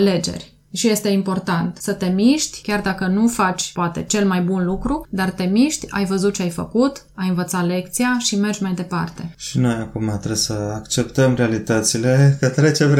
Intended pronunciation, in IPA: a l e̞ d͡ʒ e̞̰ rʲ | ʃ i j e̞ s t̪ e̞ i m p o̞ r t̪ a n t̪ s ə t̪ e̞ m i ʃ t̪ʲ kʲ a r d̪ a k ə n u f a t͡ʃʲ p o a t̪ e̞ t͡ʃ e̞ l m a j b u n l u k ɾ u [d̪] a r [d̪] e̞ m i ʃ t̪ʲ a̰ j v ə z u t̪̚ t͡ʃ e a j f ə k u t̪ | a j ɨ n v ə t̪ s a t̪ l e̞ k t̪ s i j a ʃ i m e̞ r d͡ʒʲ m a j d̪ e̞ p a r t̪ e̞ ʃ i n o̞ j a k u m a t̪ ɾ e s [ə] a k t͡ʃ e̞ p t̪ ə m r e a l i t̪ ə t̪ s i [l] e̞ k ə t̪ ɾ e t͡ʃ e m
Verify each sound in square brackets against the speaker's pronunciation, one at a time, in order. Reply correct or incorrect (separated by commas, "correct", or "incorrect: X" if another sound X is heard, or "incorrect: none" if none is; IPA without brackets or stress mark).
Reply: correct, incorrect: t̪, correct, correct